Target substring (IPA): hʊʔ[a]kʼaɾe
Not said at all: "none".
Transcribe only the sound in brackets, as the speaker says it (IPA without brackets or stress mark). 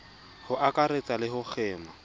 a